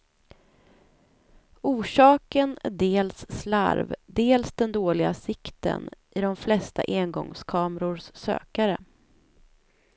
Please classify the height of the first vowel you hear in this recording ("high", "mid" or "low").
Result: high